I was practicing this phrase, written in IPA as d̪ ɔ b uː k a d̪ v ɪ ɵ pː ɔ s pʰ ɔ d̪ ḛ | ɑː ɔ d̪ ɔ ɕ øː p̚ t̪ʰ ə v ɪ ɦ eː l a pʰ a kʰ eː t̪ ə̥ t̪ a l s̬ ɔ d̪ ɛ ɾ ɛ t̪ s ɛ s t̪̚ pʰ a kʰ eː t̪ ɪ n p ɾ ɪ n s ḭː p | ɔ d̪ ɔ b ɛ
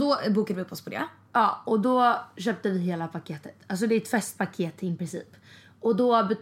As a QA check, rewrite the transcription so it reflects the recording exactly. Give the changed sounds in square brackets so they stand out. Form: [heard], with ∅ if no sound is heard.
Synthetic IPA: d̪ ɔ b uː k a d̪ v ɪ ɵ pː ɔ s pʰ ɔ d̪ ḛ | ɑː ɔ d̪ ɔ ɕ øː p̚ [t̪] ə v ɪ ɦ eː l a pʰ a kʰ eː t̪ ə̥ t̪ a l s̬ ɔ d̪ ɛ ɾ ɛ t̪ [f] ɛ s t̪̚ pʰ a kʰ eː t̪ ɪ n p ɾ ɪ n s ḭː p | ɔ d̪ ɔ b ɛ